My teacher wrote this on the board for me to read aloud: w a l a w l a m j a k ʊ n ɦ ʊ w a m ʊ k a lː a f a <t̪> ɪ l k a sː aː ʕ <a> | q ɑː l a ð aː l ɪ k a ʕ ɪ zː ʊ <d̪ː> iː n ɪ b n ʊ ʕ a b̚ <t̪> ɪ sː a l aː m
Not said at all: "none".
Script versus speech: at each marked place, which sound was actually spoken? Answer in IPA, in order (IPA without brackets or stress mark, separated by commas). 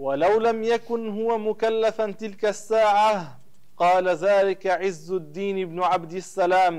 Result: t̪, a, d̪ː, d̪